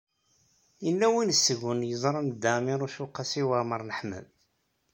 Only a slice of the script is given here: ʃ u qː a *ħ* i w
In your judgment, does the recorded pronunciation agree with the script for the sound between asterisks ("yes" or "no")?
no